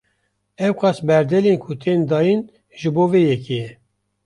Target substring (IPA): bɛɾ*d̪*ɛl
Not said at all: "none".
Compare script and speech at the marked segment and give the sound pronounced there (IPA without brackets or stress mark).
d̪